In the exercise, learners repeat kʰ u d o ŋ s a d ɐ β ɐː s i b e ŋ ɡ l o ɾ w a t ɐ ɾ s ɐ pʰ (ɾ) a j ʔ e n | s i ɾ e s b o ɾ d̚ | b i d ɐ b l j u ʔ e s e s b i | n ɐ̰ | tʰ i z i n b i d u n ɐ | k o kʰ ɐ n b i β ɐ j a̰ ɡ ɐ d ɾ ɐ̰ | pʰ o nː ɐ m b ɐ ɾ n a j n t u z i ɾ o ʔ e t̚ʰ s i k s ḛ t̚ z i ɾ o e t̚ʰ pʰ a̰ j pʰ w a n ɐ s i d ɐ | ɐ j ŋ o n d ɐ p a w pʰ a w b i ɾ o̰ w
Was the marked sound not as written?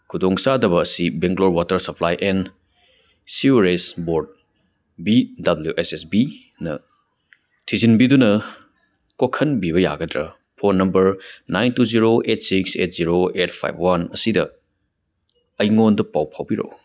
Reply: yes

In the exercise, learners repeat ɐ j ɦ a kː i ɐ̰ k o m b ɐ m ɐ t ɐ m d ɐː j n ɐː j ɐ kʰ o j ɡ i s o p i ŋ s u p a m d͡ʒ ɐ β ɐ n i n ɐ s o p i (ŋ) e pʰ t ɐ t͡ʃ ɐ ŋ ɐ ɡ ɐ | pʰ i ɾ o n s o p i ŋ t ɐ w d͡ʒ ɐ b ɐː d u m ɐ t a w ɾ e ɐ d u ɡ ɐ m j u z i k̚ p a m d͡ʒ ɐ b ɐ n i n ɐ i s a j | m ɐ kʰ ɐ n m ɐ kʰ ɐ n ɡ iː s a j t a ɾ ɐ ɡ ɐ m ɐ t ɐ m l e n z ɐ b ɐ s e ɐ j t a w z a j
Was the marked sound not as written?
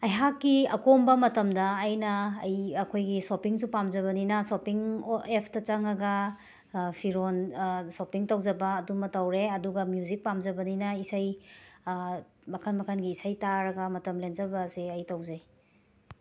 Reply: no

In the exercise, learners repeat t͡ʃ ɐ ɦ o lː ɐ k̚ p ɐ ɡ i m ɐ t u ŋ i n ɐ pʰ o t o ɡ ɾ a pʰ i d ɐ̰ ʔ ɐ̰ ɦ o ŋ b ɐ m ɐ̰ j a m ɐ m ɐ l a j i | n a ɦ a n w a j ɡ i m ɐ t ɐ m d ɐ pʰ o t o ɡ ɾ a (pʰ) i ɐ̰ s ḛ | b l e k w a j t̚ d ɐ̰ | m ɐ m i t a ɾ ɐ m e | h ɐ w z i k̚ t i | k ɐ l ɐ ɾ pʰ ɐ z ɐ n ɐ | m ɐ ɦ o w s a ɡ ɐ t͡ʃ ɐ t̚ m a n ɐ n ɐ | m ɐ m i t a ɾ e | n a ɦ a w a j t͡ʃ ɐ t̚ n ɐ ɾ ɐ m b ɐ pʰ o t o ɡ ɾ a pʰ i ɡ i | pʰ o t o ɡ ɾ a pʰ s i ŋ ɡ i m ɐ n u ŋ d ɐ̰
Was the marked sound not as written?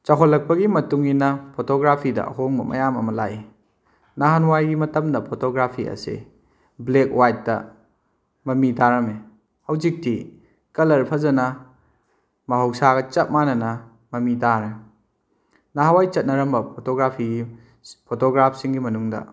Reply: no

